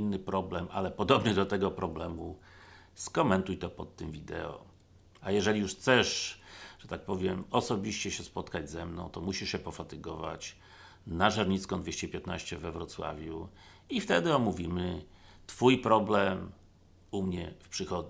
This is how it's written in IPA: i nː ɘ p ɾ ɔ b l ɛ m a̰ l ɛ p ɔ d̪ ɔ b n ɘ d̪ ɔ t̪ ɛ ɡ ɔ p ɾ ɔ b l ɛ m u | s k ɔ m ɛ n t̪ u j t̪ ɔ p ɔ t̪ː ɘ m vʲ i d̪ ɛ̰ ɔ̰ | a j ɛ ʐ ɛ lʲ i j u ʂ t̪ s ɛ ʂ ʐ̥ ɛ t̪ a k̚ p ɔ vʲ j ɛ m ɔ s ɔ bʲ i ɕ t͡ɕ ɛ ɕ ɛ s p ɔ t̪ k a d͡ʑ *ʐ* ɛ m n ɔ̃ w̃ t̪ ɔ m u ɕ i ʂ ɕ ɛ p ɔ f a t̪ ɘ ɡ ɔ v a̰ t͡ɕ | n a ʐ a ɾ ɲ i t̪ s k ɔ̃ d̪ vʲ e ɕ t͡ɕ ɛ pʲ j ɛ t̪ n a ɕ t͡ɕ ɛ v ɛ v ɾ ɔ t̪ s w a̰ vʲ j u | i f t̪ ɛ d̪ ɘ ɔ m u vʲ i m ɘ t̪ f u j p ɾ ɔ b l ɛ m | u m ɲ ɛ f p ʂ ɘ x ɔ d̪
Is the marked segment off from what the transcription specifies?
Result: yes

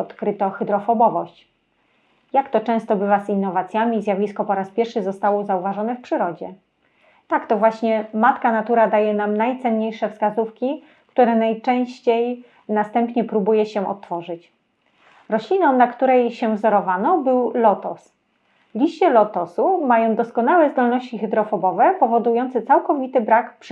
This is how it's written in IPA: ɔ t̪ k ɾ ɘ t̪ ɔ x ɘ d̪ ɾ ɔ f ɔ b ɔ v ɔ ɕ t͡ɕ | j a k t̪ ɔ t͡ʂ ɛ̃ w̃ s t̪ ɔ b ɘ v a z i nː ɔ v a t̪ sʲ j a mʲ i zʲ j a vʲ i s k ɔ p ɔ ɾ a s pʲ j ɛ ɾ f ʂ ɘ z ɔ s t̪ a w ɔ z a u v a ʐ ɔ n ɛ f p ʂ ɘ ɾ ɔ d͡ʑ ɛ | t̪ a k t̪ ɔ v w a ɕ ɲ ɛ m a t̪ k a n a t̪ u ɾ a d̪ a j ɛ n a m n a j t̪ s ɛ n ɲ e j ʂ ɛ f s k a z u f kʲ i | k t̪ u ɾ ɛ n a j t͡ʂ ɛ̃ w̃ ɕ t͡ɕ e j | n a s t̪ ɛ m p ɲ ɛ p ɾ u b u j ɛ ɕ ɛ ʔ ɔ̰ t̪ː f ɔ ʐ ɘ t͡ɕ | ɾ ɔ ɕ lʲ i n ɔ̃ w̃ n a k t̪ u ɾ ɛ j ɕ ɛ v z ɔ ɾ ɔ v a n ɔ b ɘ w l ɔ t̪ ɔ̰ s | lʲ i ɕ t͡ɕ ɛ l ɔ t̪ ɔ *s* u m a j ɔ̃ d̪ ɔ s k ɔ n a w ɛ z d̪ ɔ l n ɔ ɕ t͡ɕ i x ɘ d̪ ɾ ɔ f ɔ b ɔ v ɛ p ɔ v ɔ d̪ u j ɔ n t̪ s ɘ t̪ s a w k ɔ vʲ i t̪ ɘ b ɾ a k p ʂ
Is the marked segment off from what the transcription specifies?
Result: no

